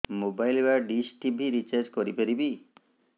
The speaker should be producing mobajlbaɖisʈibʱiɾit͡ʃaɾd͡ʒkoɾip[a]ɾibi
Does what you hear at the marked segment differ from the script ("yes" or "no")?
yes